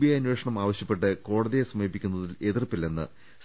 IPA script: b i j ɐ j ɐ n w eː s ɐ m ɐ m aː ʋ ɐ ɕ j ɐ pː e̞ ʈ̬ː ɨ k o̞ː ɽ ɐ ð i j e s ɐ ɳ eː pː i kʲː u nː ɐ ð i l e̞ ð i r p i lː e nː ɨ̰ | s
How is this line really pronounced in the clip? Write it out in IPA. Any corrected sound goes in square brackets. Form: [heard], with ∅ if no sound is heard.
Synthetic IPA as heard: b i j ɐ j ɐ n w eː [ʂ] ɐ [ɳ] ɐ m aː ʋ ɐ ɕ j ɐ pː e̞ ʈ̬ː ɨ k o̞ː ɽ ɐ ð i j e s ɐ [m] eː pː i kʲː u nː ɐ ð i l e̞ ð i r p i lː e nː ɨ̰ | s